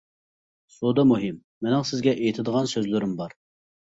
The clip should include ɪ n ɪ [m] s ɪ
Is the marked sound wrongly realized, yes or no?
yes